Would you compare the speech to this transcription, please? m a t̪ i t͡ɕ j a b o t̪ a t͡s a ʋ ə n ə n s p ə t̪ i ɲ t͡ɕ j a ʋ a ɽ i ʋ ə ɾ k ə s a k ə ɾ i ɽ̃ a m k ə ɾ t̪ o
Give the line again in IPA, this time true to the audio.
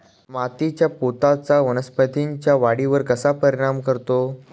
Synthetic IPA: m a t̪ i t͡ɕ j a p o t̪ a t͡s a ʋ ə n ə s p ə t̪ i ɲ t͡ɕ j a ʋ a ɽ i ʋ ə ɾ k ə s a p ə ɾ i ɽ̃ a m k ə ɾ t̪ o